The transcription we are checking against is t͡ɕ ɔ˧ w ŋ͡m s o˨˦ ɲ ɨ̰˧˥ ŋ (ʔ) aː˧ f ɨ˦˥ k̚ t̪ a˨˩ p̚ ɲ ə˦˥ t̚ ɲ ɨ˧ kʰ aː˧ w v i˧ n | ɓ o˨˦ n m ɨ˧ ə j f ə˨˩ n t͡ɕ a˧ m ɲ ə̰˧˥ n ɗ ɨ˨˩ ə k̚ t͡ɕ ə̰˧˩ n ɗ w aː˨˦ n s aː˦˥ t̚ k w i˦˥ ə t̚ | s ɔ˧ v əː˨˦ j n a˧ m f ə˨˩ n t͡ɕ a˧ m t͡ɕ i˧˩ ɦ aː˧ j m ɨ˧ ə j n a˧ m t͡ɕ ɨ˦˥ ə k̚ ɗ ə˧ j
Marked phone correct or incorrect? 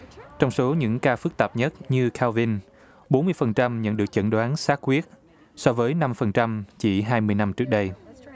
incorrect